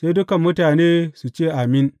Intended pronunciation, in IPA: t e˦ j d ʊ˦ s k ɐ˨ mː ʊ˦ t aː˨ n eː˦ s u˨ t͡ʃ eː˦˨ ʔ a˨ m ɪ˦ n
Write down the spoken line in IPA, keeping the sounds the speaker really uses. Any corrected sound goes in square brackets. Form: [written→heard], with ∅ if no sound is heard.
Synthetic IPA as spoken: [t→s] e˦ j d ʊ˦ [s→∅] k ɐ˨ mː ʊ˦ t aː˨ n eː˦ s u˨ t͡ʃ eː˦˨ ʔ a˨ m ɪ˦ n